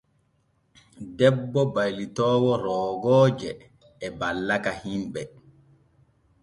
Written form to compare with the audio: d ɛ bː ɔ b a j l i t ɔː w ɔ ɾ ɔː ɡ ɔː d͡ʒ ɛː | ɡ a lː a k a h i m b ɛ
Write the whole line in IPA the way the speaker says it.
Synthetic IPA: d ɛ bː ɔ b a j l i t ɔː w ɔ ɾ ɔː ɡ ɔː d͡ʒ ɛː | b a lː a k a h i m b ɛ